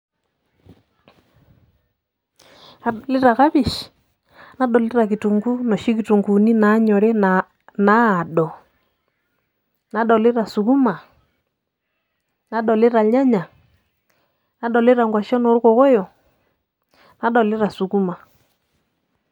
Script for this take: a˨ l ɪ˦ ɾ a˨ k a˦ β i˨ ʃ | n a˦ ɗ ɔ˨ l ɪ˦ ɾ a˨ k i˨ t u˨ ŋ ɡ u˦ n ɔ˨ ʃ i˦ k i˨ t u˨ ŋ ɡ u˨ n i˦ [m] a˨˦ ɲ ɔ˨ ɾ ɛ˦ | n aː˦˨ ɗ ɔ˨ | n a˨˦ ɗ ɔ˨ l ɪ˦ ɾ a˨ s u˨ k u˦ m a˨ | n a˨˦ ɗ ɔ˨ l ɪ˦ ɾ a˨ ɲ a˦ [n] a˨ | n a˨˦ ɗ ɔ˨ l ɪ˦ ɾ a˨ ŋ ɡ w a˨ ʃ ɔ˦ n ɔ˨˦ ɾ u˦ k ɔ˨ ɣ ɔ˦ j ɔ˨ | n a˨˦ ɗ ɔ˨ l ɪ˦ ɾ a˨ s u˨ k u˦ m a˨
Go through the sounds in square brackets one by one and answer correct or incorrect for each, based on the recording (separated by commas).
incorrect, incorrect